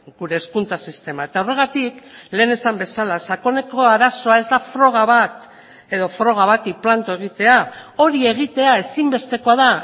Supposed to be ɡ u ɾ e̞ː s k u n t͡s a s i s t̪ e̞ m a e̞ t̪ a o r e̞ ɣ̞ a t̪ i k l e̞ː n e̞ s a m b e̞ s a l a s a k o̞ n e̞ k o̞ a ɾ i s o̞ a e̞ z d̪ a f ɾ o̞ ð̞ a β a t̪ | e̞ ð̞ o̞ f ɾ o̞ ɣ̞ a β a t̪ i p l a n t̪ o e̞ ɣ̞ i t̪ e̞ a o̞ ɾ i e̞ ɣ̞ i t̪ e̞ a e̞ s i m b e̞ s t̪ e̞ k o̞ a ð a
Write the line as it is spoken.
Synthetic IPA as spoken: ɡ u ɾ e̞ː s k u n t͡s a s i s t̪ e̞ m a e̞ t̪ a o r e̞ ɣ̞ a t̪ i k l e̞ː n e̞ s a m b e̞ s a l a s a k o̞ n e̞ k o̞ a ɾ a s o̞ a e̞ z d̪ a f ɾ o̞ ɣ̞ a β a t̪ | e̞ ð̞ o̞ f ɾ o̞ ɣ̞ a β a t̪ i p l a n t̪ o e̞ ɣ̞ i t̪ e̞ a o̞ ɾ i e̞ ɣ̞ i t̪ e̞ a e̞ s i m b e̞ s t̪ e̞ k o̞ a ð a